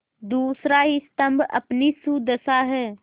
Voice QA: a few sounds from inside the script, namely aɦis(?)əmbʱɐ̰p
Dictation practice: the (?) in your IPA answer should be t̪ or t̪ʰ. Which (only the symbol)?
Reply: t̪